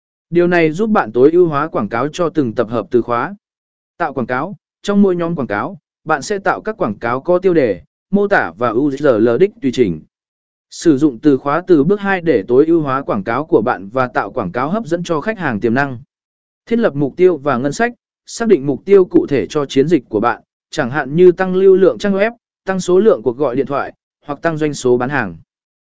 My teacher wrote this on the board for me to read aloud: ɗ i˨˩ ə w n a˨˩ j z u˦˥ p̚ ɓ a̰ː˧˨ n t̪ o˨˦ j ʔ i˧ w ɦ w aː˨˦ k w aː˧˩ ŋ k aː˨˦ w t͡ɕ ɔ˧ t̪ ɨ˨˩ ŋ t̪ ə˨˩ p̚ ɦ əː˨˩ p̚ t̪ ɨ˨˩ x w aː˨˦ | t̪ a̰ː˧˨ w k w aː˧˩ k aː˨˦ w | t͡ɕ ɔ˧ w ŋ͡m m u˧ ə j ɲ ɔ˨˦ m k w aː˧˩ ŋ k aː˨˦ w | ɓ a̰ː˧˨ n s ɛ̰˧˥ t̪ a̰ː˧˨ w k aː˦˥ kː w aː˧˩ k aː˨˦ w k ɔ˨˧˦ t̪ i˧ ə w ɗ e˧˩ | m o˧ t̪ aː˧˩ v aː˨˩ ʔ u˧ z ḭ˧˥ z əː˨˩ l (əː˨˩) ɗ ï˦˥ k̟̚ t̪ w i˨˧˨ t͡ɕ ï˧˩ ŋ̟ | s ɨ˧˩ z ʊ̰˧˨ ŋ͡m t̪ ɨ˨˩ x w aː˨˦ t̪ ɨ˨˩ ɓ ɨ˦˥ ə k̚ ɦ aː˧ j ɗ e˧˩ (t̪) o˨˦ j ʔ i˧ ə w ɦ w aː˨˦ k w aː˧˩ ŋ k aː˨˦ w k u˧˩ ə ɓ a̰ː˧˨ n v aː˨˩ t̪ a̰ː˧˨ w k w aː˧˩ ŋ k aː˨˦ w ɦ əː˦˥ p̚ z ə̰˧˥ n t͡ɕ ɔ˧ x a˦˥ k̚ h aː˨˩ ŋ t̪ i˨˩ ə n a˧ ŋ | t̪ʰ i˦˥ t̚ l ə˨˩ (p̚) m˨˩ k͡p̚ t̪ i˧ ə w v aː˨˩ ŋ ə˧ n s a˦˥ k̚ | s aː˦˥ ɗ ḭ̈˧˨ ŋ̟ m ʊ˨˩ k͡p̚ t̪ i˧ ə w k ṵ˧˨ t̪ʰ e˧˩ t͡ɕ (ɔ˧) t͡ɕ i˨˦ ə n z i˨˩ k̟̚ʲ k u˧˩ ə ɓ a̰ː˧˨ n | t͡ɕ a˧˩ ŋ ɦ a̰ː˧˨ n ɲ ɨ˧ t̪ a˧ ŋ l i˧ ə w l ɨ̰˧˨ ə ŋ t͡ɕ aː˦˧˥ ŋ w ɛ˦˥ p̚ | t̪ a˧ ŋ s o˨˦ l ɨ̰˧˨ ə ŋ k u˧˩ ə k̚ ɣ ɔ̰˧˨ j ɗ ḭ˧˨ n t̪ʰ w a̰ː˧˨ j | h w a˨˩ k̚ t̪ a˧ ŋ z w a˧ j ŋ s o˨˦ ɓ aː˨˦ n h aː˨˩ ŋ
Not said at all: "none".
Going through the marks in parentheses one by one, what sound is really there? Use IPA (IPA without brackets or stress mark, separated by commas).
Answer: əː˨˩, t̪, p̚, ɔ˧